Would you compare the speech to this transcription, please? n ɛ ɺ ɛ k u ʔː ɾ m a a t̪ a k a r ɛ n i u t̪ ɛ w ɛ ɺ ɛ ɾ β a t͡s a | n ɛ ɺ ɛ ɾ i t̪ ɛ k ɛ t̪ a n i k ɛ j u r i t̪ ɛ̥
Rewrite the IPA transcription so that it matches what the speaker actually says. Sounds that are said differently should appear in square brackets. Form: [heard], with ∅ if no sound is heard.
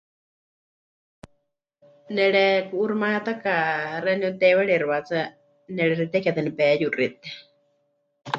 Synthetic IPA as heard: n ɛ ɺ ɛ k u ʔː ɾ m a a t̪ a k a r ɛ n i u t̪ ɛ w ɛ ɺ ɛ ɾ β a t͡s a | n ɛ ɺ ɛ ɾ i t̪ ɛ k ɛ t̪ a n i [p] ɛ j u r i t̪ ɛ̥